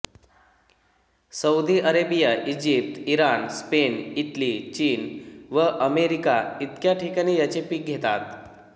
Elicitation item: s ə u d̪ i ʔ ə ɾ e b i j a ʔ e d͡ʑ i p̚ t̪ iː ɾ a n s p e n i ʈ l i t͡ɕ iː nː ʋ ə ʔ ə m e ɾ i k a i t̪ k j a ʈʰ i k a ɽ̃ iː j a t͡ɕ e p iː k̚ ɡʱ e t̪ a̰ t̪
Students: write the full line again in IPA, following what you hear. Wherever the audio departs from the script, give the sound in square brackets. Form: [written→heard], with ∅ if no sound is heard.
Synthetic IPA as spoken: s ə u d̪ i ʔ ə ɾ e b i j a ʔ [e→i] d͡ʑ i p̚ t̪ [iː→i] ɾ a n s p e n i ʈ l i t͡ɕ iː [nː→n] ʋ ə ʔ ə m e ɾ i k a i t̪ k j a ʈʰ i k a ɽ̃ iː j a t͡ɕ e p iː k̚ ɡʱ e t̪ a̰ t̪